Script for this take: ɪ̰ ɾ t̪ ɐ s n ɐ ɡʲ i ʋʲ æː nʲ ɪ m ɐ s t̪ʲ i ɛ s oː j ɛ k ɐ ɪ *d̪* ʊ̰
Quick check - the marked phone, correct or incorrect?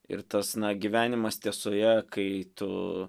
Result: incorrect